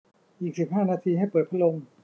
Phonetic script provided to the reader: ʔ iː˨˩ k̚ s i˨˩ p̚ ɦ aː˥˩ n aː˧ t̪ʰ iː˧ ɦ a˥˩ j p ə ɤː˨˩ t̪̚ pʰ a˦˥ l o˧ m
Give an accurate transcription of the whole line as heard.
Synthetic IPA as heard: ʔ iː˨˩ k̚ s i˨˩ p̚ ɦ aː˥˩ n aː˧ t̪ʰ iː˧ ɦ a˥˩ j p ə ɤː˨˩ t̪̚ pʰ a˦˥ l o˧ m